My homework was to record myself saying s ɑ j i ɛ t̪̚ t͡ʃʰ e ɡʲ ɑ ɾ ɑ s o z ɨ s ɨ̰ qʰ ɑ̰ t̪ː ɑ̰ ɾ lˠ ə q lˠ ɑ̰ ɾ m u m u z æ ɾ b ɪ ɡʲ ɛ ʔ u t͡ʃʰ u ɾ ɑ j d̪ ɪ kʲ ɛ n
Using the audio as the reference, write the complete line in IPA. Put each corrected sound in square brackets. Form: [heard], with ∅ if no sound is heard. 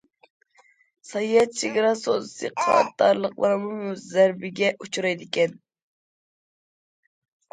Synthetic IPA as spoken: s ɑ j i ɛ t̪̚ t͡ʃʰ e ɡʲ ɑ ɾ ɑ s o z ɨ s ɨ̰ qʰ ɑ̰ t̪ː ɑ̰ ɾ lˠ ə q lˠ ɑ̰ ɾ m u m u z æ ɾ b ɪ ɡʲ ɛ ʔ u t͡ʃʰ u ɾ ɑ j d̪ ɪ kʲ ɛ n